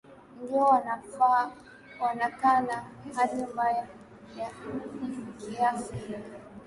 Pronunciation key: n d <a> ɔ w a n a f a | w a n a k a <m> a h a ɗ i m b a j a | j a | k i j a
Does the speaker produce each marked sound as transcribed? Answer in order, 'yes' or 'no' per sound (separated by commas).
no, no